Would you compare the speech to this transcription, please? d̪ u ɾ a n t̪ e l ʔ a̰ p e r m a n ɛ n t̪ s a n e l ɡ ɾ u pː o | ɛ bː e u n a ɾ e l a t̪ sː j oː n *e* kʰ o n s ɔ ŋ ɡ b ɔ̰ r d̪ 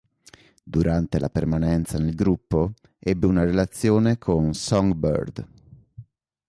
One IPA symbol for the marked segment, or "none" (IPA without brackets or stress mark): e